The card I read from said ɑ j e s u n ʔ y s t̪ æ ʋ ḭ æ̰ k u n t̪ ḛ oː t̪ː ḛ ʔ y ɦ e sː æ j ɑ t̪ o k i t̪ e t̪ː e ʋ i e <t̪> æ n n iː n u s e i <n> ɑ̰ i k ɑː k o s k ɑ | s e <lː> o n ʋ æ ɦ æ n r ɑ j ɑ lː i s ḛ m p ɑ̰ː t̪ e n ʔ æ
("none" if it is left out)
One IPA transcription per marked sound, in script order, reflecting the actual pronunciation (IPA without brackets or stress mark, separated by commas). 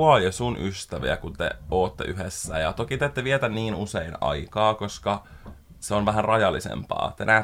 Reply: t̪, n, none